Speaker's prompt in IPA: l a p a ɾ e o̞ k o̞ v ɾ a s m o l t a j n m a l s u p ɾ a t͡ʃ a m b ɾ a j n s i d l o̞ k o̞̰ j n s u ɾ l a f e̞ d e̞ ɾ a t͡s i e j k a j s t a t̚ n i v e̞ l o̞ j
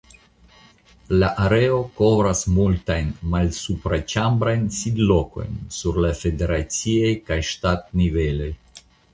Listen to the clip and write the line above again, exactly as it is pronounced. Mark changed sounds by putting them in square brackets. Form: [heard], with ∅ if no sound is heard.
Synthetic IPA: l a [ʔ] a ɾ e o̞ k o̞ v ɾ a s m [u] l t a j n m a l s u p ɾ a t͡ʃ a m b ɾ a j n s i d l o̞ k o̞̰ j n s u ɾ l a f e̞ d e̞ ɾ a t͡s i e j k a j [ʃ] t a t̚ n i v e̞ l o̞ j